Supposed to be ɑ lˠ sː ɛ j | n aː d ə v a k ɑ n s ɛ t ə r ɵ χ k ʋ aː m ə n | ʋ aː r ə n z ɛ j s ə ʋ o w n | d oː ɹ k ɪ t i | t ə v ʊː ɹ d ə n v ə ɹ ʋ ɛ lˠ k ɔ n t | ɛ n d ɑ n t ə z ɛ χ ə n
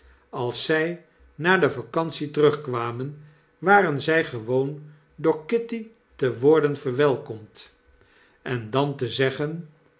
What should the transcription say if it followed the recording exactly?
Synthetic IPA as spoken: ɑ lˠ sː ɛ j | n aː d ə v a k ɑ n s i t ə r ɵ χ k ʋ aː m ə n | ʋ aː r ə n z ɛ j χ ə ʋ o w n | d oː ɹ k ɪ t i | t ə ʋ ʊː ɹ d ə n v ə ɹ ʋ ɛ lˠ k ɔ m t | ɛ n d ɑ n t ə z ɛ χ ə n